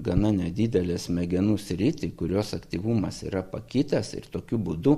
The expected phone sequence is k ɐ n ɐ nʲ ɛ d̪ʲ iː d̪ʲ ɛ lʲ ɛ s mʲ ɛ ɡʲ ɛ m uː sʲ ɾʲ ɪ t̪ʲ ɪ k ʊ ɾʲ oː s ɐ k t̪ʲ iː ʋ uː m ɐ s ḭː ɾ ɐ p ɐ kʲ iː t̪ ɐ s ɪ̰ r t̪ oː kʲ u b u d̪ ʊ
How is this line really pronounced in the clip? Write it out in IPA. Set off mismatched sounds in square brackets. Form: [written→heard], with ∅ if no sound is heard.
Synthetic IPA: [k→ɡ] ɐ n ɐ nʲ ɛ d̪ʲ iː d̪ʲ ɛ lʲ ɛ s mʲ ɛ ɡʲ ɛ [m→n] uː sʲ ɾʲ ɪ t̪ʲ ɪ k ʊ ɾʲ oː s ɐ k t̪ʲ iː ʋ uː m ɐ s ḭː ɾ ɐ p ɐ kʲ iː t̪ ɐ s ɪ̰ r t̪ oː kʲ u b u d̪ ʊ